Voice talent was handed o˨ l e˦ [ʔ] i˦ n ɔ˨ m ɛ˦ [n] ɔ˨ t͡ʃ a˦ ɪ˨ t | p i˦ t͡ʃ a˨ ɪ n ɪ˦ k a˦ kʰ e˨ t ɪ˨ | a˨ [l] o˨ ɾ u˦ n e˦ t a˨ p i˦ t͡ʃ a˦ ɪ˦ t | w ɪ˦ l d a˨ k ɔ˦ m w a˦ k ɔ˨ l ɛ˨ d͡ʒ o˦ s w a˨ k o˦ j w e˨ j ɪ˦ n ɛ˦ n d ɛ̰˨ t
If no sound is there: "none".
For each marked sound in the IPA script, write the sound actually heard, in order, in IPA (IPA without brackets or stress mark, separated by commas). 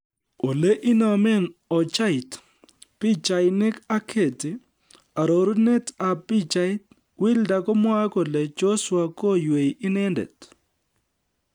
ʔ, n, ɾ